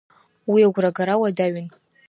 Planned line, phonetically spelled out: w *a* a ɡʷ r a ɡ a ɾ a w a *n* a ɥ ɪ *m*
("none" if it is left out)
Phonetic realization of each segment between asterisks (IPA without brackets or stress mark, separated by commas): i, d, n